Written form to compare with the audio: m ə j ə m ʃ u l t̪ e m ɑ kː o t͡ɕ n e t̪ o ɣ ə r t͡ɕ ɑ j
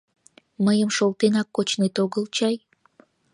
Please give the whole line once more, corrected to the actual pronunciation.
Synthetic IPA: m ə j ə m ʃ o l t̪ e n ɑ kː o t͡ɕ n e t̪ o ɣ ə l t͡ɕ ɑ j